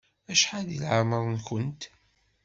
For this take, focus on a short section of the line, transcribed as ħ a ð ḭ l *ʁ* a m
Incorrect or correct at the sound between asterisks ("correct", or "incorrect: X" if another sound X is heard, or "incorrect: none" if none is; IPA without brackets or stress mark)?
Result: incorrect: ʕ